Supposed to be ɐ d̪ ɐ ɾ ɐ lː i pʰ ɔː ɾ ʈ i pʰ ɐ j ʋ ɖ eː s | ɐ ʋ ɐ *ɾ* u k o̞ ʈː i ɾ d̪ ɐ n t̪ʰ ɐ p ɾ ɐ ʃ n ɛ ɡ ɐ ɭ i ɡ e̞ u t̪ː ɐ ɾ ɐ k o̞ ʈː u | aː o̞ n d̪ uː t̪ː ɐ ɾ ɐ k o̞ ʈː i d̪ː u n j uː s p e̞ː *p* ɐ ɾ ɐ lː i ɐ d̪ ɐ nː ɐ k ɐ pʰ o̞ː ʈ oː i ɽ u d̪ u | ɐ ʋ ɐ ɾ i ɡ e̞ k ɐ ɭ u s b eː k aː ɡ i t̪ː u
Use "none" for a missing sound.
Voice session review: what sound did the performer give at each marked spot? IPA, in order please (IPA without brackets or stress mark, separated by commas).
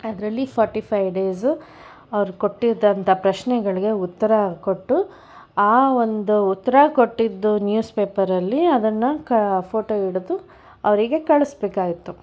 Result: ɾ, p